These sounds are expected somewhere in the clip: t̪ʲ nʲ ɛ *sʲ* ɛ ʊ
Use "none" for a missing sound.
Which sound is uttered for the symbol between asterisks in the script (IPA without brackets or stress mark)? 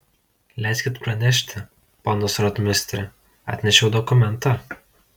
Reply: ʃʲ